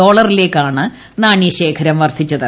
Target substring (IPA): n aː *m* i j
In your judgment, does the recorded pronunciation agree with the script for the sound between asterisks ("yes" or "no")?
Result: no